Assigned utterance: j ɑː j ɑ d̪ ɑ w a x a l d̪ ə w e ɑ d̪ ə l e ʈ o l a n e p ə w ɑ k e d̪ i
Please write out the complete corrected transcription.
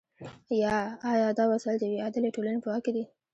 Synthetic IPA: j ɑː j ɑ d̪ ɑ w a s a l d̪ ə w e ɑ d̪ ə l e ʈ o l a n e p ə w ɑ k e d̪ i